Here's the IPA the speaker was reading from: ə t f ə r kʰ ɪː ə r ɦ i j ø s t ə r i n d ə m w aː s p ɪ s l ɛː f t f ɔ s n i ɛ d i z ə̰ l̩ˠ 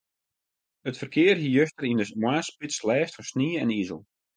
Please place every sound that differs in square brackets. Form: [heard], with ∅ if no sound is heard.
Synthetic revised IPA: ə t f ə r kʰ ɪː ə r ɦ i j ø s t ə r i n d ə m w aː s p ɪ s l ɛː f t f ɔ s n i ɛ [n] i z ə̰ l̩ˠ